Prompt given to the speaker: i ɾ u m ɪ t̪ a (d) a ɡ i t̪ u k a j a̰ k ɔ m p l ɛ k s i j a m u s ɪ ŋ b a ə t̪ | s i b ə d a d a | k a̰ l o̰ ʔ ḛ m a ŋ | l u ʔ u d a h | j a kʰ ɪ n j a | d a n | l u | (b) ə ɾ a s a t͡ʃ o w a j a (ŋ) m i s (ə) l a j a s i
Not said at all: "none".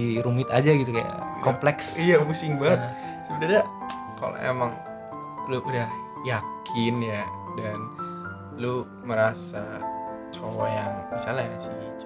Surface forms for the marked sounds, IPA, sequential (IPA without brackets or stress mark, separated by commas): d͡ʒ, m, ŋ, a